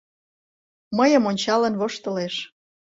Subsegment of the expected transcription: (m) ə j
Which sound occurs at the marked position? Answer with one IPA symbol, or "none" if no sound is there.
m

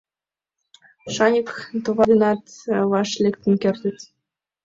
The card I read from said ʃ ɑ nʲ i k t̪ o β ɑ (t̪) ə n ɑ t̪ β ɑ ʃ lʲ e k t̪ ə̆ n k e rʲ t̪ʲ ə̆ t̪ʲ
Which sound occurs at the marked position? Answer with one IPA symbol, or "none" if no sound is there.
d̪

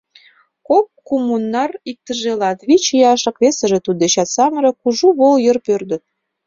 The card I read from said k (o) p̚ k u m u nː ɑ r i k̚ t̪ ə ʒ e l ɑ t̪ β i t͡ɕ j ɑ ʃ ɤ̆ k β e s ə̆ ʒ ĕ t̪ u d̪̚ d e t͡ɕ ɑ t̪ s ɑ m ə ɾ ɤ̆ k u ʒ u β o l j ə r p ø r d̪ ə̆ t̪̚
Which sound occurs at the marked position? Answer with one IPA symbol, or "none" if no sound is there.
o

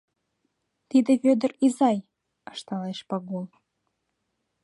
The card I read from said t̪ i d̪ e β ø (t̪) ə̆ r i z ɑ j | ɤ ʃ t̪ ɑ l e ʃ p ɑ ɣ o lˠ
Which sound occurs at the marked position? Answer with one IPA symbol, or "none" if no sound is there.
d̪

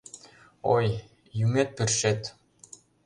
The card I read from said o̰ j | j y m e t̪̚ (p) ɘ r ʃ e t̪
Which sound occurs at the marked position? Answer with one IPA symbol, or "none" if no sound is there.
p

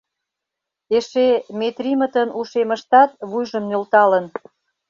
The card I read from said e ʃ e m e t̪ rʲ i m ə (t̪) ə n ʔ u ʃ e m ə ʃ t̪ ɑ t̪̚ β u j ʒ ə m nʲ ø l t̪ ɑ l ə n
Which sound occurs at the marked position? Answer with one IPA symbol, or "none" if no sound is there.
t̪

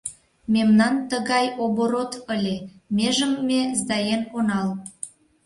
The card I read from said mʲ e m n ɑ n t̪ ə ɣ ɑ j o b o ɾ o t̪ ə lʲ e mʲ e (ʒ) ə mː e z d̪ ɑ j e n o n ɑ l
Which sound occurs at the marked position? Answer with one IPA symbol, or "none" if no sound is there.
ʒ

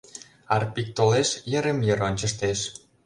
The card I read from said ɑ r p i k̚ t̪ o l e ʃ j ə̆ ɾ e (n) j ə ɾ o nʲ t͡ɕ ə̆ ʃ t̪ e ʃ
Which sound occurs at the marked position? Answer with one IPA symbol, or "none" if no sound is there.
m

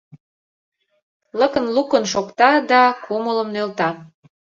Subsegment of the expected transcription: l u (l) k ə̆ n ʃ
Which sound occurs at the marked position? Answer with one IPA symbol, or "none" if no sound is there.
none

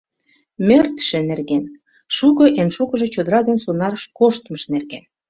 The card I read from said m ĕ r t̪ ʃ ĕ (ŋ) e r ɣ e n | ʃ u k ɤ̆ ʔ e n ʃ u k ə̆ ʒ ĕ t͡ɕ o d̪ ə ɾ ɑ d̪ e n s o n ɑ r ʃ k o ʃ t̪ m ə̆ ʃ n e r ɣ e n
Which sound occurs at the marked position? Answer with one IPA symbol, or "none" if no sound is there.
n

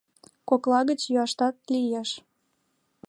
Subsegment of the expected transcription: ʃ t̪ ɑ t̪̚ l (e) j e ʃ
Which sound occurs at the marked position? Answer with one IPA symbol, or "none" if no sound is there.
i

